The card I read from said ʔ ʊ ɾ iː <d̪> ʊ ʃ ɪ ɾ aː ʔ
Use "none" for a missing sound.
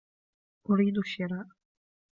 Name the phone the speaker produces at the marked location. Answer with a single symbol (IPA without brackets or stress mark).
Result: d̪